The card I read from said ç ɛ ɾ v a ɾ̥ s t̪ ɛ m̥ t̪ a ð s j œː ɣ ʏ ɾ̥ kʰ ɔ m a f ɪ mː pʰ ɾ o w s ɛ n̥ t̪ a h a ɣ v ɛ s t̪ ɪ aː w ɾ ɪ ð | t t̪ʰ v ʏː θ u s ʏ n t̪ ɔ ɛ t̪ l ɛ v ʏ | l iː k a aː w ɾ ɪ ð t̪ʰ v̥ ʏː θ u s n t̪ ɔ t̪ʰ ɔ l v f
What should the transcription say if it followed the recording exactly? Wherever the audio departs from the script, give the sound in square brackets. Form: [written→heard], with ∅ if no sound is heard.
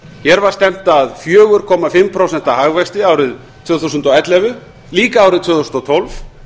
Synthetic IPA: ç ɛ ɾ v a ɾ̥ s t̪ ɛ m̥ t̪ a ð [s→f] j œː ɣ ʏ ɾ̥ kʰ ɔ m a f ɪ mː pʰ ɾ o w s ɛ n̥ t̪ a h a ɣ v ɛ s t̪ ɪ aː w ɾ ɪ ð | t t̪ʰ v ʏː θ u s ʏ n t̪ ɔ ɛ t̪ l ɛ v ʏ | l iː k a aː w ɾ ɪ ð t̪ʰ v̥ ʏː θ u s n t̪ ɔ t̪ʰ ɔ l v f